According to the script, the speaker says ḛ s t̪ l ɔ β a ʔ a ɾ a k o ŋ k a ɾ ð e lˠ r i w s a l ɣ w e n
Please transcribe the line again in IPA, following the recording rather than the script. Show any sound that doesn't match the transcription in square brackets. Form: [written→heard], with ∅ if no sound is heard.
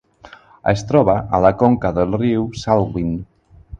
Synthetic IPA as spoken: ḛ s t̪ [l→ɾ] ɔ β a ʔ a [ɾ→l] a k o ŋ k a [ɾ→∅] ð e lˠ r i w s a l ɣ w [e→i] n